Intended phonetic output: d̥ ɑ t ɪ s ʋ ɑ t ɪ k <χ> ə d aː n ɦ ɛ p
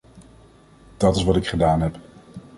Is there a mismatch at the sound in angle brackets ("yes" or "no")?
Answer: no